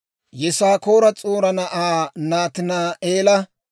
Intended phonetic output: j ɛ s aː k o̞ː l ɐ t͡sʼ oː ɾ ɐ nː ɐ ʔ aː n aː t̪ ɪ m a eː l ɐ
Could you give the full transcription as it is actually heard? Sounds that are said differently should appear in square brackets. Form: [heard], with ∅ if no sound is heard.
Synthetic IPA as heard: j ɛ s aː k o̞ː [ɾ] ɐ t͡sʼ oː ɾ ɐ [n] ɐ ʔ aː n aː t̪ ɪ [n] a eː l ɐ